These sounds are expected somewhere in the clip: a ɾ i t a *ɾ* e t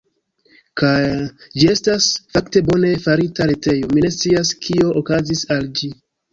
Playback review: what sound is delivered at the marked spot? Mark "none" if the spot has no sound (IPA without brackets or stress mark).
ɾ